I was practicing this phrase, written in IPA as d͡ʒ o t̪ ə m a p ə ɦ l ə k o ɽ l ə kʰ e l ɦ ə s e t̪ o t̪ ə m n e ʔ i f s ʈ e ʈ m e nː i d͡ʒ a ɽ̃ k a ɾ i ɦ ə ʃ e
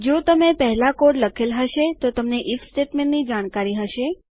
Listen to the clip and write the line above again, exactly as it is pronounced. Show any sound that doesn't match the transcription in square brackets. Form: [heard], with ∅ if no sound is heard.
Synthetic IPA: d͡ʒ o t̪ ə m [e] p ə ɦ l [a] k o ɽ l ə kʰ e l ɦ ə [ʃ] e t̪ o t̪ ə m n e ʔ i f s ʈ e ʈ m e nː i d͡ʒ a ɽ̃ k a ɾ i ɦ ə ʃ e